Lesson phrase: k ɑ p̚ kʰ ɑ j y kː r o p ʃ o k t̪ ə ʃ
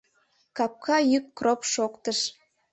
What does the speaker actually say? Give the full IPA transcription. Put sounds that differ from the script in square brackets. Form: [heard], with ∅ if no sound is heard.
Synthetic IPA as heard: k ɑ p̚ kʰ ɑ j y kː r o p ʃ o k t̪ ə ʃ

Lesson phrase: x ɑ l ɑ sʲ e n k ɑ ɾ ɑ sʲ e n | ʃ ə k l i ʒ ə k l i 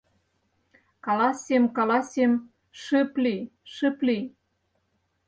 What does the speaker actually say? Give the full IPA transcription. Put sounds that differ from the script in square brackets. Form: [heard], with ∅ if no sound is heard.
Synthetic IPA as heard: [k] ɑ l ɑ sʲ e [m] k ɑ [l] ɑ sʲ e [m] | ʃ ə [p] l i [ʃ] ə [p] l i

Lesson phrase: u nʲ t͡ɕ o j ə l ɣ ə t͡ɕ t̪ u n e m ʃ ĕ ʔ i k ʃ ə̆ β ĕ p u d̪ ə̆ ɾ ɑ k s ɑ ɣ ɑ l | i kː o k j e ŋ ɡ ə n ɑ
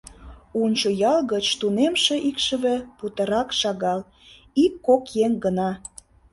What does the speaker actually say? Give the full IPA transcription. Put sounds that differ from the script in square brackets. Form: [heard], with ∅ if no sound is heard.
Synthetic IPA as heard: u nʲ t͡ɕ o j [ɑ] l ɣ ə t͡ɕ t̪ u n e m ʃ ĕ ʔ i k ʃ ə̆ β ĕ p u [t̪] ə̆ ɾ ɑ k [ʃ] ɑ ɣ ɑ l | i kː o k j e ŋ ɡ ə n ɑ

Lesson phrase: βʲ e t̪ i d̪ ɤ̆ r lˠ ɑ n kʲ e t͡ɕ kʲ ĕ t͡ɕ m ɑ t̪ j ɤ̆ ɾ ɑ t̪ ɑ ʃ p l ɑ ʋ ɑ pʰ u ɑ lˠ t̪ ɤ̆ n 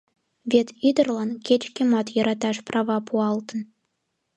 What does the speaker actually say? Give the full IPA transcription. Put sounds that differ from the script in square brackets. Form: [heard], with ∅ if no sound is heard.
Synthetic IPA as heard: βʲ e t̪ i d̪ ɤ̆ r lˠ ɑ n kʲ e t͡ɕ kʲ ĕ [∅] m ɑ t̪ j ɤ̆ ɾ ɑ t̪ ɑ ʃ p [r] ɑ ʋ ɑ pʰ u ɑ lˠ t̪ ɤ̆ n

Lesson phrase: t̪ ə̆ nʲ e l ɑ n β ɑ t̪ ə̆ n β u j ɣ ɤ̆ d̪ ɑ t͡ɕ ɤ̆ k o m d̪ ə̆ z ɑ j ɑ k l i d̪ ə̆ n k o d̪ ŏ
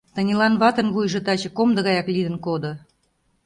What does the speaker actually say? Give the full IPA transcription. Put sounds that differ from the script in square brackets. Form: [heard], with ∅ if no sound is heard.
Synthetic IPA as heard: t̪ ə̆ nʲ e l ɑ n β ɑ t̪ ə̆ n β u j [ʒ] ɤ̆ [t̪] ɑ t͡ɕ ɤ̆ k o m d̪ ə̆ [ɣ] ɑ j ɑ k l i d̪ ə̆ n k o d̪ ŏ

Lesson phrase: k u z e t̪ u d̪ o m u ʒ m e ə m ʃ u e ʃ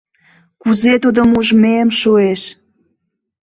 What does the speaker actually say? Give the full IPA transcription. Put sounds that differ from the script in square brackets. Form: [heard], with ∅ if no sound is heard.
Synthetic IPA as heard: k u z e t̪ u d̪ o m u ʒ m e ə m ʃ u e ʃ

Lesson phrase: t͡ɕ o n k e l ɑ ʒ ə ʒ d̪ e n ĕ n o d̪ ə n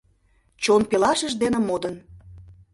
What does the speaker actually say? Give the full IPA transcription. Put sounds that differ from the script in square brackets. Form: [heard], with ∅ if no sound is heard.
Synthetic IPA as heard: t͡ɕ o n [p] e l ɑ [ʃ] ə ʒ d̪ e n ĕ [m] o d̪ ə n

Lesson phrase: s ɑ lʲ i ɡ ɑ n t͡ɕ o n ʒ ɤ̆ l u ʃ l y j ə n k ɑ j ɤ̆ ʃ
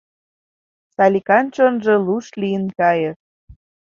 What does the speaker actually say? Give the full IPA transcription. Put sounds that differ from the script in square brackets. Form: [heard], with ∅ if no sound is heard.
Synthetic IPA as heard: s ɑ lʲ i [k] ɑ n t͡ɕ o n ʒ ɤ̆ l u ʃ l [i] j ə n k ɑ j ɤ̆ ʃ

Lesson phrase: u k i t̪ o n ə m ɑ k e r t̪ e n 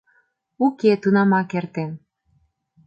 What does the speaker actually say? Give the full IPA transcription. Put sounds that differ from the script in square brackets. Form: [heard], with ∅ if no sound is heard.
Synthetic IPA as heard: u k [e] t̪ [u] n [ɑ] m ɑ k e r t̪ e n

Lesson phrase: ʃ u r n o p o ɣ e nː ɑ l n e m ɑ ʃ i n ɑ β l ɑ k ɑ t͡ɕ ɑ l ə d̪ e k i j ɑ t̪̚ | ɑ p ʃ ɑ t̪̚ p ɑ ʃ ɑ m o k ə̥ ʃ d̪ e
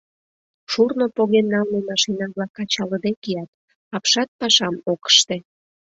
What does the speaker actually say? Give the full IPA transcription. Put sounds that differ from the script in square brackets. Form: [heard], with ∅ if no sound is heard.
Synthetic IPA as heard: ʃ u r n o p o ɣ e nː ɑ l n e m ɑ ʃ i n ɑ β l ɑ k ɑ t͡ɕ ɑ l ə d̪ e k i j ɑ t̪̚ | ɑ p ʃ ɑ t̪̚ p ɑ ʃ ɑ m o k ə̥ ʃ [t̪] e

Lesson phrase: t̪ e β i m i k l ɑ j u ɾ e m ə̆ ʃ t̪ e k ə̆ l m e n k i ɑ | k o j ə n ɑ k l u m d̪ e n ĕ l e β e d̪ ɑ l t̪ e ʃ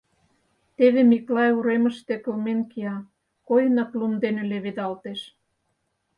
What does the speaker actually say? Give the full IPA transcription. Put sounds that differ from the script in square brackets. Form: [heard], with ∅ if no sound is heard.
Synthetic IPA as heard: t̪ e β [e] m i k l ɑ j u ɾ e m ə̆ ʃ t̪ e k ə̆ l m e n k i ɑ | k o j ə n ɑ k l u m d̪ e n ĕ l e β e d̪ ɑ l t̪ e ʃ

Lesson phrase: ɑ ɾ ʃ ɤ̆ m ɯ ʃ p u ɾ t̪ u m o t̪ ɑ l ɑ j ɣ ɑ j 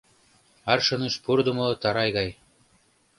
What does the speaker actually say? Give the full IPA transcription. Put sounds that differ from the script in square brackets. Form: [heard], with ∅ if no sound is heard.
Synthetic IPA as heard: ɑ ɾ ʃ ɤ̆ [n] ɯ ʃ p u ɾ [d̪] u m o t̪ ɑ [ɾ] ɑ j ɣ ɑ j

